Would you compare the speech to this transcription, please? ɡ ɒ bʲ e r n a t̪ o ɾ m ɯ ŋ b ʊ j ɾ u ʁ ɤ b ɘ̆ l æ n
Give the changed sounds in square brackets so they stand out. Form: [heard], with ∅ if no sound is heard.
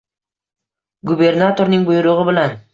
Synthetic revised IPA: ɡ [u] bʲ e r n a t̪ o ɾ [n] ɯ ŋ b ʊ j ɾ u ʁ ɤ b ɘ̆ l æ n